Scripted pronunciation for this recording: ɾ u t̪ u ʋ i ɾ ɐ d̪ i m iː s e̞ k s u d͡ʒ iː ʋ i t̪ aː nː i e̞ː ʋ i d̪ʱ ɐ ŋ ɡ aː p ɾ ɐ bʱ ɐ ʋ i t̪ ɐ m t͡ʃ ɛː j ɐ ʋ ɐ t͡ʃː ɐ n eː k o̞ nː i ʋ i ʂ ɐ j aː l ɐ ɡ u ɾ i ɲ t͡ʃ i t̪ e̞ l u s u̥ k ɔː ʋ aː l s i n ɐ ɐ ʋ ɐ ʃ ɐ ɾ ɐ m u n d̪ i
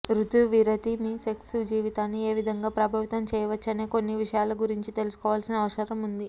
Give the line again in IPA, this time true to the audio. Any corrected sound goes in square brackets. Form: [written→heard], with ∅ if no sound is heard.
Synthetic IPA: ɾ u t̪ u ʋ i ɾ ɐ [d̪→t̪] i m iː s e̞ k s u d͡ʒ iː ʋ i t̪ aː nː i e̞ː ʋ i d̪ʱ ɐ ŋ ɡ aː p ɾ ɐ bʱ ɐ ʋ i t̪ ɐ m t͡ʃ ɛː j ɐ ʋ ɐ t͡ʃː ɐ n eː k o̞ nː i ʋ i ʂ ɐ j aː l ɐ ɡ u ɾ i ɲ t͡ʃ i t̪ e̞ l u s u̥ k ɔː ʋ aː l s i n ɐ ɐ ʋ ɐ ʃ ɐ ɾ ɐ m u n d̪ i